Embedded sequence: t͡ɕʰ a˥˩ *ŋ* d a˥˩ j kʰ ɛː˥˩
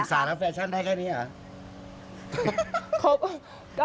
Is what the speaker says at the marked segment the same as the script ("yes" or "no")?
no